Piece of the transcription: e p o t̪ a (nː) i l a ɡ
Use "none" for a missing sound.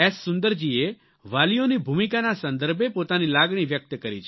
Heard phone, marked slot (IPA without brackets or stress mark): n